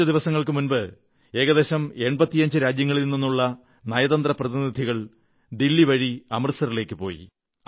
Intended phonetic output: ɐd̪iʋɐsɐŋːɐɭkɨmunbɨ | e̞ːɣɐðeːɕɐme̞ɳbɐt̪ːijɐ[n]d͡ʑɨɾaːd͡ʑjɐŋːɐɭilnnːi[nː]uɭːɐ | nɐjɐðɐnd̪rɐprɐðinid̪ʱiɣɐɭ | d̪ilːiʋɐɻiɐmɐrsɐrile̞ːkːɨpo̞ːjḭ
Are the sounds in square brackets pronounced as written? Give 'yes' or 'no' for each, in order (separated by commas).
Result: no, yes